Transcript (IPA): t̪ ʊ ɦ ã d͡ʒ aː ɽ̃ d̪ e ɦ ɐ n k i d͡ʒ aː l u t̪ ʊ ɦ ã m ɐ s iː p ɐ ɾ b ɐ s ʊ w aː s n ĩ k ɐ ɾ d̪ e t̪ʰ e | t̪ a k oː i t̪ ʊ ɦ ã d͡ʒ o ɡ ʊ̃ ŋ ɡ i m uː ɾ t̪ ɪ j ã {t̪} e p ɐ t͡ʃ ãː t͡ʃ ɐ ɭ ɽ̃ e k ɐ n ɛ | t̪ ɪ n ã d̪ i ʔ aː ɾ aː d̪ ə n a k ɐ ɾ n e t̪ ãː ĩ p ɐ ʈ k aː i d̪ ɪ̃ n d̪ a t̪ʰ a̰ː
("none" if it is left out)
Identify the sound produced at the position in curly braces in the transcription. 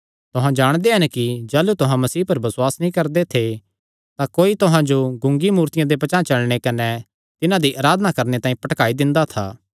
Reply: d̪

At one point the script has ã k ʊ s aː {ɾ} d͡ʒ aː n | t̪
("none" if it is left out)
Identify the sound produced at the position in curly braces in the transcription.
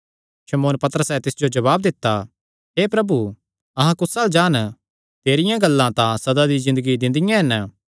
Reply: l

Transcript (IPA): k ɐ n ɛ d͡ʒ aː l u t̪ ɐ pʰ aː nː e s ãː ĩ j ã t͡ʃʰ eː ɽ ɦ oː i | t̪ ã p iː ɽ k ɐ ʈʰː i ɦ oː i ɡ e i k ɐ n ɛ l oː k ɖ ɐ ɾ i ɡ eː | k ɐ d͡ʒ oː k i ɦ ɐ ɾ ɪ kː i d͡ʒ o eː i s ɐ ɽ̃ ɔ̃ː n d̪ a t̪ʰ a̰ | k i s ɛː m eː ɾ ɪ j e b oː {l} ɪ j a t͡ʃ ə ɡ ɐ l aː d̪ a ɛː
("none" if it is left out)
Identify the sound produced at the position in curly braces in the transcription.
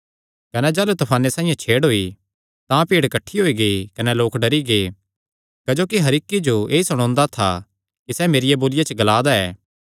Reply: l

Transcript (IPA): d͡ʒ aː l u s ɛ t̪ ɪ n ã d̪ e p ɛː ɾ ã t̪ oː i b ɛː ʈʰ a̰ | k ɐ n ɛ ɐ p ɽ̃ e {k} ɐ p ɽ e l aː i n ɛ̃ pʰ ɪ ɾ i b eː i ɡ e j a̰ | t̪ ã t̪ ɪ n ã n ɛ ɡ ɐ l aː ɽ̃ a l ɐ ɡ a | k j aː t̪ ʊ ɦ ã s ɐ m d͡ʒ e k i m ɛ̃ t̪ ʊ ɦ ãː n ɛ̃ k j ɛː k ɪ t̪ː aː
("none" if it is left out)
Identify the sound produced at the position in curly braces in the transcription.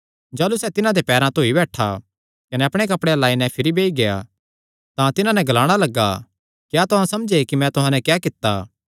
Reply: k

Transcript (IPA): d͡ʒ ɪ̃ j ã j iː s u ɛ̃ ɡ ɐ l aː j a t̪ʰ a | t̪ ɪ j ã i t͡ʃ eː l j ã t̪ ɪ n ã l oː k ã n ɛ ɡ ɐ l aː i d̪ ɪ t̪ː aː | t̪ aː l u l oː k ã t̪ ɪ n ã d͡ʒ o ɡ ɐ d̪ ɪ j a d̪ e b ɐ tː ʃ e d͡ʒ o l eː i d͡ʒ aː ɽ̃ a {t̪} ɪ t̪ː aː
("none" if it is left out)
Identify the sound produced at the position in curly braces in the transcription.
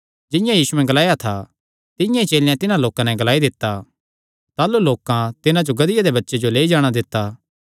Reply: d̪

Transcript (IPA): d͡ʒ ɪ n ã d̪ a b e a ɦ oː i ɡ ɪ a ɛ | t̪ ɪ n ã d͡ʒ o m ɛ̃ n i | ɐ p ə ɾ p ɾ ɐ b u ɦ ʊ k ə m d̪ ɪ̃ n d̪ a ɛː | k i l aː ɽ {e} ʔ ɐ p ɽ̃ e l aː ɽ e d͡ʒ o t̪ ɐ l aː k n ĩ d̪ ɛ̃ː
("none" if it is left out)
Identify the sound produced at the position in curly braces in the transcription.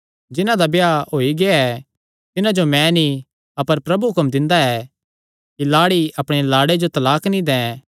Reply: i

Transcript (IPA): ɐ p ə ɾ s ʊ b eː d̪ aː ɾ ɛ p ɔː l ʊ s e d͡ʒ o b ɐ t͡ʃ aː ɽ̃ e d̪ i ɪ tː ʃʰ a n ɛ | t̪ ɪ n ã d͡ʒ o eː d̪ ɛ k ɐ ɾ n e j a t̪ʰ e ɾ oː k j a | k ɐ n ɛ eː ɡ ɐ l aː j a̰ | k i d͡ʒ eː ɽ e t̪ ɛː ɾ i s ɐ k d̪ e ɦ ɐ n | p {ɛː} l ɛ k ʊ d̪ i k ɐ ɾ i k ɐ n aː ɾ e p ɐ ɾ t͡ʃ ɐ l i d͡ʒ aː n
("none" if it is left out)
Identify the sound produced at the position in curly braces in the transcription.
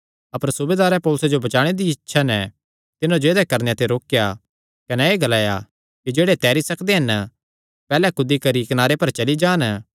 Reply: ɛː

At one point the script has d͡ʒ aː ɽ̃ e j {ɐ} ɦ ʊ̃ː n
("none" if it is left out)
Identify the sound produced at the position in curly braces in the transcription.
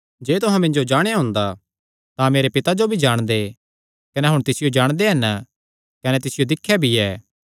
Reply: a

